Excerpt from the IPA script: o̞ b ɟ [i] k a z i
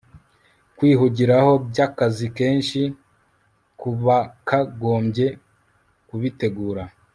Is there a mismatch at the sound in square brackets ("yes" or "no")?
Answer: yes